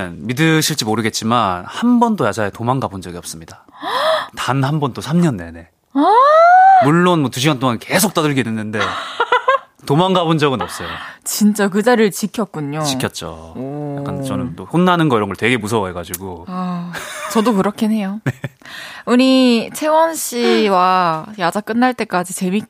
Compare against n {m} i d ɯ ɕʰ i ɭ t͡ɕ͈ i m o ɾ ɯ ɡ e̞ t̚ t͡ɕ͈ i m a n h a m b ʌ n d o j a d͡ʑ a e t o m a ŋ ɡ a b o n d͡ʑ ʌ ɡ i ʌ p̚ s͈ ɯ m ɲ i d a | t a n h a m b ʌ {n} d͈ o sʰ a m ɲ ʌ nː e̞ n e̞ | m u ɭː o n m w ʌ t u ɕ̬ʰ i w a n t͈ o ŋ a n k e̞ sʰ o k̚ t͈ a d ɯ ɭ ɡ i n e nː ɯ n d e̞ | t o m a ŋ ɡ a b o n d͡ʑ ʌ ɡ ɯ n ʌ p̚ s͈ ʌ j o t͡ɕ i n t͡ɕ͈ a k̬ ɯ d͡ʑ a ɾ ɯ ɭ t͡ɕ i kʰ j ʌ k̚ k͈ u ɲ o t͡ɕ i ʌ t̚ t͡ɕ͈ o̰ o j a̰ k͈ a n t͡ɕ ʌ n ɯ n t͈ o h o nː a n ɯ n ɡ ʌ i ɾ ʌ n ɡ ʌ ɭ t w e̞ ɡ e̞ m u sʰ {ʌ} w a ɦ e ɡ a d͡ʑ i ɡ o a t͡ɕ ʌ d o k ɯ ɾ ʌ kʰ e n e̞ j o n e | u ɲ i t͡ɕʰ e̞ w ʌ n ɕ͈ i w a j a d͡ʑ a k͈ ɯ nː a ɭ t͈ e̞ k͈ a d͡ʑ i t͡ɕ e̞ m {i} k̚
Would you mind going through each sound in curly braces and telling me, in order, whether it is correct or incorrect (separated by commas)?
correct, correct, correct, correct